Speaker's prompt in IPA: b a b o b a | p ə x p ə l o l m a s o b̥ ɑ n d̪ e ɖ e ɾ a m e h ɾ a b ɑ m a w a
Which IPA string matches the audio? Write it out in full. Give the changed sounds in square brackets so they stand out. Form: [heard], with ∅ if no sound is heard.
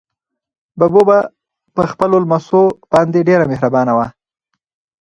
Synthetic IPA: b a b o b a | p ə x p ə l o l m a s o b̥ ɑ n d̪ e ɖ e ɾ a m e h ɾ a b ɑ [n] a w a